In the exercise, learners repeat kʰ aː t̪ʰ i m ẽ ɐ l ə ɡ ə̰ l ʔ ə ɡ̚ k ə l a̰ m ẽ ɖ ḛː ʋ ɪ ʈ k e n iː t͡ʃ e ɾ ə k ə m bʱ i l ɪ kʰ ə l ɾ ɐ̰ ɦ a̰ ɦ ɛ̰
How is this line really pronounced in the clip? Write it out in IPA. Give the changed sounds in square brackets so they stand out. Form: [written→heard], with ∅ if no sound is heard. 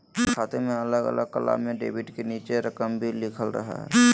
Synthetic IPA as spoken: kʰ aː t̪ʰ [i→e] m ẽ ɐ l ə ɡ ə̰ l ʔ ə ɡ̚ k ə l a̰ m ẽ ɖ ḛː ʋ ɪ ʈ k e n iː t͡ʃ e ɾ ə k ə m bʱ i l ɪ kʰ ə l ɾ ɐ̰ ɦ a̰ ɦ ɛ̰